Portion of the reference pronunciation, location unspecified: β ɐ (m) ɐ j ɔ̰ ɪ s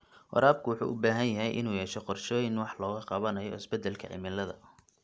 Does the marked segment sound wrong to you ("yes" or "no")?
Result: yes